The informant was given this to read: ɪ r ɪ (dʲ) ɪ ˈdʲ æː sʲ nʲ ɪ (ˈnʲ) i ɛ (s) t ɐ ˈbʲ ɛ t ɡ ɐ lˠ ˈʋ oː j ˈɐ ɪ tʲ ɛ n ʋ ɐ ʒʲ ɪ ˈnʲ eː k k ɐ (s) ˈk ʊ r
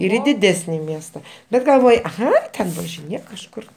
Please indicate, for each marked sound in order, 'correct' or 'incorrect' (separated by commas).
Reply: correct, incorrect, correct, incorrect